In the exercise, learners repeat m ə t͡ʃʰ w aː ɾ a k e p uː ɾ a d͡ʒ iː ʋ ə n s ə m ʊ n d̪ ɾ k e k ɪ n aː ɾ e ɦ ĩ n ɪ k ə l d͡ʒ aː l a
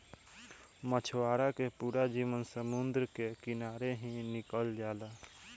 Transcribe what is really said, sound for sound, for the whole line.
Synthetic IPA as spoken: m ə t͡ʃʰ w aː ɾ a k e p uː ɾ a d͡ʒ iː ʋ ə n s ə m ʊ n d̪ ɾ k e k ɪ n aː ɾ e ɦ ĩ n ɪ k ə l d͡ʒ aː l a